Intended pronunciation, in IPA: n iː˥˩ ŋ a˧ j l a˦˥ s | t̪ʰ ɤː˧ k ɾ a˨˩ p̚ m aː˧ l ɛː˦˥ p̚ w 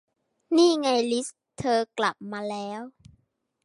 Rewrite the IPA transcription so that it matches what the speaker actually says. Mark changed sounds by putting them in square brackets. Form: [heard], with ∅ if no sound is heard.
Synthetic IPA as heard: n iː˥˩ ŋ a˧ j l [i˦˥] s | t̪ʰ ɤː˧ k [l] a˨˩ p̚ m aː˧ l ɛː˦˥ [∅] w